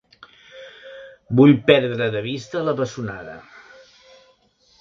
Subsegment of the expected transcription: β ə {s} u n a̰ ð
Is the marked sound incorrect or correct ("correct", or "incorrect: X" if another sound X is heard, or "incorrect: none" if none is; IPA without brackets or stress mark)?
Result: correct